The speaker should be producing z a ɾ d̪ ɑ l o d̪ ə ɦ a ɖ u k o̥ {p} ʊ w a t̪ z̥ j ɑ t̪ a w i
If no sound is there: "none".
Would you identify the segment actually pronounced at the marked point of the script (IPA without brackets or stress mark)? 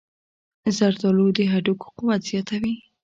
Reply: q